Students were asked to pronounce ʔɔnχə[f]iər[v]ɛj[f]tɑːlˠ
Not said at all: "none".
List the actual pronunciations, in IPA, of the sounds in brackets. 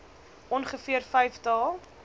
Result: f, f, f

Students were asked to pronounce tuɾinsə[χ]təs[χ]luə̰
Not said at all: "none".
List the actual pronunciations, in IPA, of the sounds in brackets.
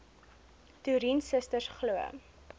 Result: s, χ

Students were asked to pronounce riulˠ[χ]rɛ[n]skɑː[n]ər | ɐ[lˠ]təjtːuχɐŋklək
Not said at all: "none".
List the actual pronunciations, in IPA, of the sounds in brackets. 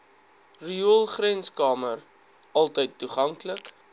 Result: χ, n, m, lˠ

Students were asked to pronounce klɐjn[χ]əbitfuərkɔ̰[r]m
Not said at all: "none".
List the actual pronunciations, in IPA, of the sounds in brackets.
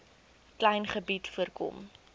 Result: χ, none

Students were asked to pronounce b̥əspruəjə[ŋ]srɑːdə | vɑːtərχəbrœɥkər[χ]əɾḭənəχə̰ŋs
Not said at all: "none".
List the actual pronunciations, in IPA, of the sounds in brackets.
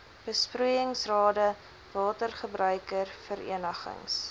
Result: ŋ, f

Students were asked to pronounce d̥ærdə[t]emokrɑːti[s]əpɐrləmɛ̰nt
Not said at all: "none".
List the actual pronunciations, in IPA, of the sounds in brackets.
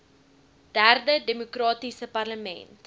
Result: d, s

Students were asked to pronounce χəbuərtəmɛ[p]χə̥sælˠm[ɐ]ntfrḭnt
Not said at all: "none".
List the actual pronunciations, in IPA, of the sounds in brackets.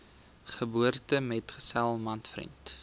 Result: t, ɐ

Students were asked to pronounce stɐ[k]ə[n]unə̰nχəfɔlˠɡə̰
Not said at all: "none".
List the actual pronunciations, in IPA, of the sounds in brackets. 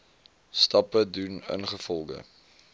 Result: p, d

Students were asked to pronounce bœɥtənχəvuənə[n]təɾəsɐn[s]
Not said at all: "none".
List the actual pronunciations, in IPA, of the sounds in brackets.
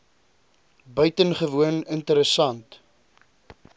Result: n, t

